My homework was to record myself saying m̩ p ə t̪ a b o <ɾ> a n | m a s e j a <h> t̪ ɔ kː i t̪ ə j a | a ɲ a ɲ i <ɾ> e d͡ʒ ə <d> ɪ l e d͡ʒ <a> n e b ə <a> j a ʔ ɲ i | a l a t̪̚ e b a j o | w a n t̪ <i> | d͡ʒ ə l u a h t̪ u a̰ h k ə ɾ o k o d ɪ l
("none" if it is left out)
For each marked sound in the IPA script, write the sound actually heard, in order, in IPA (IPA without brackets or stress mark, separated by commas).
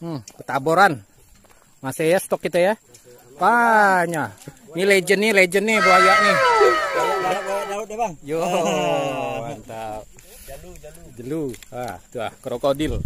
ɾ, s, l, n, ə, a, a